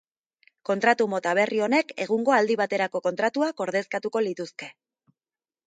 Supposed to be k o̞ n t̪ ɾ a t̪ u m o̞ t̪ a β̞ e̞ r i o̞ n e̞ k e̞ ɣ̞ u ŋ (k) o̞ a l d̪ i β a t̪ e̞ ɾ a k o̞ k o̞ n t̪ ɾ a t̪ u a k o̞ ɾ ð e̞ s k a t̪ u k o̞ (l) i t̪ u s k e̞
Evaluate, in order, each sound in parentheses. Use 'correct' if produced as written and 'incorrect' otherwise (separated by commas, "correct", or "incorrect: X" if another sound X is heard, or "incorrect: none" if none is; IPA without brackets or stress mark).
incorrect: ɡ, correct